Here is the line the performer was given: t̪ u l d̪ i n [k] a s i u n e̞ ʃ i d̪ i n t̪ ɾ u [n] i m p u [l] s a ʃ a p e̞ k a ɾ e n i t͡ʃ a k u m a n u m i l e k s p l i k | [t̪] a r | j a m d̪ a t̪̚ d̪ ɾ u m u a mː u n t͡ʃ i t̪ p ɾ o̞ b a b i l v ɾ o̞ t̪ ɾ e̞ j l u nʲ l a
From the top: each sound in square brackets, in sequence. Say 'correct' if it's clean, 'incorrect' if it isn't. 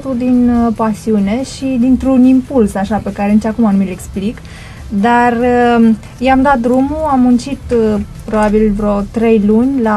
incorrect: p, correct, correct, incorrect: d̪

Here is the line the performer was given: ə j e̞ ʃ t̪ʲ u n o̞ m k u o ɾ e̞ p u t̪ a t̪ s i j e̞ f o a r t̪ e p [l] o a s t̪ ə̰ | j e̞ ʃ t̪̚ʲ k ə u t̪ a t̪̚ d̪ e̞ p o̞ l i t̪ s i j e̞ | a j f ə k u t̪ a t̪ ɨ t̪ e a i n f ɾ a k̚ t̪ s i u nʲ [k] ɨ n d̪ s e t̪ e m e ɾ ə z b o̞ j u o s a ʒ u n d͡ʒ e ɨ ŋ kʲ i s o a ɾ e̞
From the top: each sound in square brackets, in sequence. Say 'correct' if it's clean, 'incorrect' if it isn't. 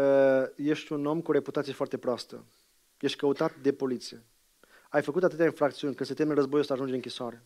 incorrect: ɾ, correct

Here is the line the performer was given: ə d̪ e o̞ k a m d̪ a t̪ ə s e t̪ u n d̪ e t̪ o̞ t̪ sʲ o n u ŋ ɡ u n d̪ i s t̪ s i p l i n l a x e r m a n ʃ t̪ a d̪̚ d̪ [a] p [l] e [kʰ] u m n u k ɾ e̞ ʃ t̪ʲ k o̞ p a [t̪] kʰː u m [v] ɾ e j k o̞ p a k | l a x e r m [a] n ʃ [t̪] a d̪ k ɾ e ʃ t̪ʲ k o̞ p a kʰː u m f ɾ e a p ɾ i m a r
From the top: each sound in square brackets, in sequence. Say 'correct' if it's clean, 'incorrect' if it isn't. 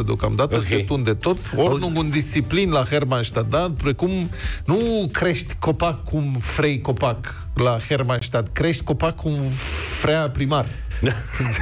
correct, incorrect: ɾ, incorrect: k, incorrect: none, incorrect: f, correct, correct

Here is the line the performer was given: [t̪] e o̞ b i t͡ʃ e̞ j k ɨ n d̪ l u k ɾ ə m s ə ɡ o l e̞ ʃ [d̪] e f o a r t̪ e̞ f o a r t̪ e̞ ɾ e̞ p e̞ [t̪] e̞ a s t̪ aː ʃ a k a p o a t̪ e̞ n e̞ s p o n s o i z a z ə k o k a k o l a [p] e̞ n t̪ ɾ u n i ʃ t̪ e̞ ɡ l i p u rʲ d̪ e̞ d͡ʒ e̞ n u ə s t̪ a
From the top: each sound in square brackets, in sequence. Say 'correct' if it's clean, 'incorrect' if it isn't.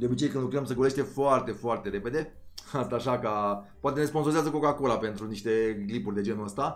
incorrect: d̪, incorrect: t̪, incorrect: d̪, correct

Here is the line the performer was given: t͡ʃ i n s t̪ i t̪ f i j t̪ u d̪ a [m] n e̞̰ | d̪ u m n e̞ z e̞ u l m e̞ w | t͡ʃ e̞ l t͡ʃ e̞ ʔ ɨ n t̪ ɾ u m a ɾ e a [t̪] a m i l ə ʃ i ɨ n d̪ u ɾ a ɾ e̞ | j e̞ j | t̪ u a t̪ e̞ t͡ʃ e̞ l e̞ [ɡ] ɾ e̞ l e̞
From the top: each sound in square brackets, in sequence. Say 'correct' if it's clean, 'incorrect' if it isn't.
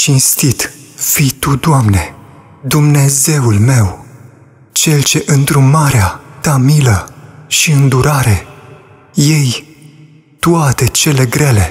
correct, correct, correct

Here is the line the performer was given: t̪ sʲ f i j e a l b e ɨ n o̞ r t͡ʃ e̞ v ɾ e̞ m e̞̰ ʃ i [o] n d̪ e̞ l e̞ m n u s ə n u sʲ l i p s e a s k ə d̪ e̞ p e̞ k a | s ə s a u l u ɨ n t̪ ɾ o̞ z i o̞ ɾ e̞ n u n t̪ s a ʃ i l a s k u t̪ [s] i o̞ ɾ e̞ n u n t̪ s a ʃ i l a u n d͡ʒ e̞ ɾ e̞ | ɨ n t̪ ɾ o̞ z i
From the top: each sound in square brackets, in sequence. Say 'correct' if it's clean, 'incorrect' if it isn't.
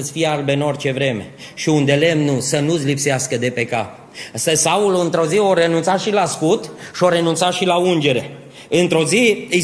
incorrect: u, incorrect: ʃ

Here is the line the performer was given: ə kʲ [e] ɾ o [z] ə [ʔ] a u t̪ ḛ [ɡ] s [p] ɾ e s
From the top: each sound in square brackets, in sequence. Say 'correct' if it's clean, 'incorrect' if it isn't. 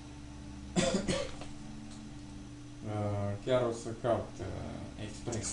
incorrect: a, incorrect: s, incorrect: k, incorrect: k, correct

